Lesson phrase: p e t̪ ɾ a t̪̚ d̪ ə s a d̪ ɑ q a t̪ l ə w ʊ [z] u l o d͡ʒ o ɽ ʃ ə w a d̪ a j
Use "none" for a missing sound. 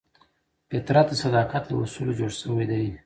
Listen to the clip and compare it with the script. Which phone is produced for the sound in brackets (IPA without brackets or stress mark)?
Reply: s